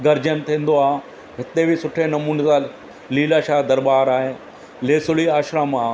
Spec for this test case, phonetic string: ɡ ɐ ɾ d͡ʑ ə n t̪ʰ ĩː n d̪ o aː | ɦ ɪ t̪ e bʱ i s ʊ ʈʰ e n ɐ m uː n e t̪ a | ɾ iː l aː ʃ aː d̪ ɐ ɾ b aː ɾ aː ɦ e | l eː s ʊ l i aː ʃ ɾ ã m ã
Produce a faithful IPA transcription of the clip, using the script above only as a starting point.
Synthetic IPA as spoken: ɡ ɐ ɾ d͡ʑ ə n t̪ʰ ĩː n d̪ o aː | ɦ ɪ t̪ e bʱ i s ʊ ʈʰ e n ɐ m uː n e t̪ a | l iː l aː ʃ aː d̪ ɐ ɾ b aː ɾ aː ɦ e | l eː s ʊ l i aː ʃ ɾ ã m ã